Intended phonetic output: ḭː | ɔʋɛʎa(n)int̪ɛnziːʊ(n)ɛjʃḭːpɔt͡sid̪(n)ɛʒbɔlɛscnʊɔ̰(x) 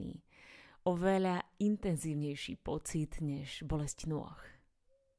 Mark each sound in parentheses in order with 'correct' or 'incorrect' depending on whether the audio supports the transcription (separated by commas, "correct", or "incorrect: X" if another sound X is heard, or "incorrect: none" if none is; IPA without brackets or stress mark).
incorrect: none, incorrect: ɲ, incorrect: ɲ, correct